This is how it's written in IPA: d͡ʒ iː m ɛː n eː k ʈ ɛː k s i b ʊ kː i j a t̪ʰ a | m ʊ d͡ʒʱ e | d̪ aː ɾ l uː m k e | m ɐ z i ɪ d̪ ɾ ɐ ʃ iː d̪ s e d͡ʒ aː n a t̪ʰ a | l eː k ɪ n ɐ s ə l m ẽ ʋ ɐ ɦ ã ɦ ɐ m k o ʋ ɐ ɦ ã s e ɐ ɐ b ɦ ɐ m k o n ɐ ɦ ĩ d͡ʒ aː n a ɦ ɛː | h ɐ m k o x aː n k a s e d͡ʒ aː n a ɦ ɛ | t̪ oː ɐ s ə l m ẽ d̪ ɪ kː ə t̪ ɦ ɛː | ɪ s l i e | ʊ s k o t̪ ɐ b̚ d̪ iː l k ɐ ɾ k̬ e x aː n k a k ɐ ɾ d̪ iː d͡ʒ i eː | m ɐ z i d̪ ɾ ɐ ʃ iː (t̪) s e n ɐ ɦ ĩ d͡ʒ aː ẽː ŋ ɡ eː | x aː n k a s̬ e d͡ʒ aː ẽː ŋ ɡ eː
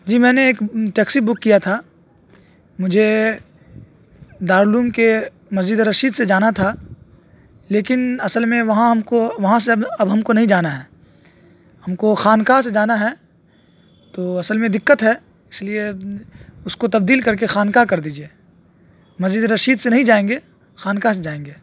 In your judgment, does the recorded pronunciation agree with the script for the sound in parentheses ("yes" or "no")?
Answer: no